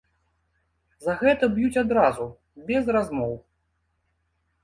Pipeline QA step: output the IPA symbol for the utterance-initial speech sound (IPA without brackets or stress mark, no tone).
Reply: z